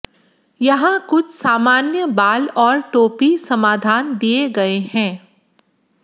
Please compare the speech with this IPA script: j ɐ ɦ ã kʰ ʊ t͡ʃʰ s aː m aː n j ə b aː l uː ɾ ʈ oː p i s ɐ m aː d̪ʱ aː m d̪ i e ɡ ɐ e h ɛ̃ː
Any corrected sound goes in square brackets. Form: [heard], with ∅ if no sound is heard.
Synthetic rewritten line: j ɐ ɦ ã [k] ʊ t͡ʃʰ s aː m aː n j ə b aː l [ɔː] ɾ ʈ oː p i s ɐ m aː d̪ʱ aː [n] d̪ i e ɡ ɐ e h ɛ̃ː